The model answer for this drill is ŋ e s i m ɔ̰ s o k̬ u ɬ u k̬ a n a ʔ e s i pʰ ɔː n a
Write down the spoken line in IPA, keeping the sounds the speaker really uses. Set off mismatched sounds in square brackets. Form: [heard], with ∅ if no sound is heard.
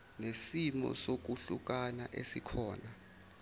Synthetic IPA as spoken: [n] e s i m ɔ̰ s o k̬ u ɬ u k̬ a n a ʔ e s i [kʰ] ɔː n a